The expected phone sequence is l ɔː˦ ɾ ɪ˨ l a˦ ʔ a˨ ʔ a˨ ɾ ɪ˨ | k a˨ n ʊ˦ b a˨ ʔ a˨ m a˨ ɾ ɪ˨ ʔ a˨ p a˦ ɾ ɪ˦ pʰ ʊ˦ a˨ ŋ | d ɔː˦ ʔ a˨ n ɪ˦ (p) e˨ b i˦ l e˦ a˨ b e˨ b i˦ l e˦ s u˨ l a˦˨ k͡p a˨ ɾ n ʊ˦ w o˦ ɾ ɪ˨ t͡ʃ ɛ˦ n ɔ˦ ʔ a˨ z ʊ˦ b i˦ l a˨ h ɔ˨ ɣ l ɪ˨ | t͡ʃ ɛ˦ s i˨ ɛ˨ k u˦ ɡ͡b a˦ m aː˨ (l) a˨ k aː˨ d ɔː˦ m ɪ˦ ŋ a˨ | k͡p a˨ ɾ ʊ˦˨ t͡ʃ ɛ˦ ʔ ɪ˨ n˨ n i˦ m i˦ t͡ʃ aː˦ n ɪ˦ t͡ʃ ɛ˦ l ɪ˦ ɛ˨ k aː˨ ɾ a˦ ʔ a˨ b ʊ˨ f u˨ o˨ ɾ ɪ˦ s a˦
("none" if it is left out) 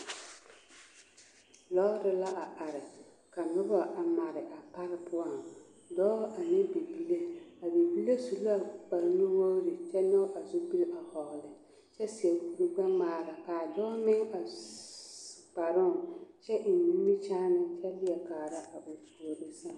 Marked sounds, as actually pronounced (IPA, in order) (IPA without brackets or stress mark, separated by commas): b, ɾ